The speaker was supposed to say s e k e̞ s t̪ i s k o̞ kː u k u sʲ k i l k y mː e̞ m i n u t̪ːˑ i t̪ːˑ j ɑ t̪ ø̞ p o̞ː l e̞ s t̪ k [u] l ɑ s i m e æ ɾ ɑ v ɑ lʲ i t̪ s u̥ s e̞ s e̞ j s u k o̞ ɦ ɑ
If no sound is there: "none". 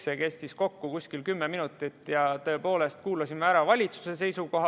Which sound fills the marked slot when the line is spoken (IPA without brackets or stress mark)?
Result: uː